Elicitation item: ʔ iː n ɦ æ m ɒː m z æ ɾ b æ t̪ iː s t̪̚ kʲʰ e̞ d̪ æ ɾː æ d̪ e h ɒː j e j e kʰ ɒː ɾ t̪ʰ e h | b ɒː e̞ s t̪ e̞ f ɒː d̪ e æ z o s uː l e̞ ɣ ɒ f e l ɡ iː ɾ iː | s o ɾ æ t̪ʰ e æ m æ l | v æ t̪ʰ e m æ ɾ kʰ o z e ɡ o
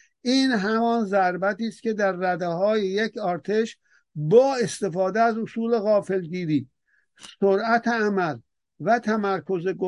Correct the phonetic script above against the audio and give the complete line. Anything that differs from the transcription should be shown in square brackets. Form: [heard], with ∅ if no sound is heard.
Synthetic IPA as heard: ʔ iː n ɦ æ m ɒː [n] z æ ɾ b æ t̪ iː s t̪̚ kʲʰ e̞ d̪ æ ɾː æ d̪ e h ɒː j e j e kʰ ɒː ɾ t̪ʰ e [ʃ] | b ɒː e̞ s t̪ e̞ f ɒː d̪ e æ z o s uː l e̞ ɣ [ɒː] f e l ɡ iː ɾ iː | s o ɾ æ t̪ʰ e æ m æ l | v æ t̪ʰ [æ] m æ ɾ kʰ o z e ɡ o